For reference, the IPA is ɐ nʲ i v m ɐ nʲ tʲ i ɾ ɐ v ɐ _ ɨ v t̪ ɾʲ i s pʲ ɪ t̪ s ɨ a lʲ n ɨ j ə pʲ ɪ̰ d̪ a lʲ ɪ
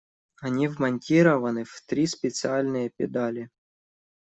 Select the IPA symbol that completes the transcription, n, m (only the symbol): n